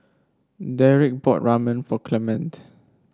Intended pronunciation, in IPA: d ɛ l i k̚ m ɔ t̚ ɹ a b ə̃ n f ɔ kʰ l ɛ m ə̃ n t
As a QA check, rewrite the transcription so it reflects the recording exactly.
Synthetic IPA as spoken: d ɛ ɹ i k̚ b ɔ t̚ ɹ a m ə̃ n f ɔ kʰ l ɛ m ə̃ n t